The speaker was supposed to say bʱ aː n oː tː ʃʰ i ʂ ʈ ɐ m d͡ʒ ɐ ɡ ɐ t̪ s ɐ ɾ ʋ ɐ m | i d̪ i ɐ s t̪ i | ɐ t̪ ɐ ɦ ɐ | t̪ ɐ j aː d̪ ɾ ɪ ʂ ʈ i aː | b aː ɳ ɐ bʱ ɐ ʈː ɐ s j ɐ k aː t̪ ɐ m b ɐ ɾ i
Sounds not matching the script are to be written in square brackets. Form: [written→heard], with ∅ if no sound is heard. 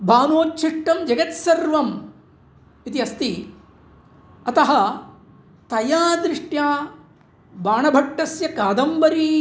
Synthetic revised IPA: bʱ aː n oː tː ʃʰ i ʂ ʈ ɐ m d͡ʒ ɐ ɡ ɐ t̪ s ɐ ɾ ʋ ɐ m | i [d̪→t̪] i ɐ s t̪ i | ɐ t̪ ɐ ɦ ɐ | t̪ ɐ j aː d̪ ɾ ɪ ʂ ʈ [i→j] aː | b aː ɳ ɐ bʱ ɐ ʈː ɐ s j ɐ k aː [t̪→d̪] ɐ m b ɐ ɾ i